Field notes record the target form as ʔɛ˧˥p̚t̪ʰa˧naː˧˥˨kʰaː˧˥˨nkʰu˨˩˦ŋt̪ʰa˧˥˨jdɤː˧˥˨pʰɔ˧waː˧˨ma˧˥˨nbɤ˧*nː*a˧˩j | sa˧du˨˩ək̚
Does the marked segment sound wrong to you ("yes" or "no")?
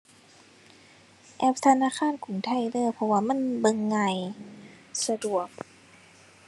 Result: yes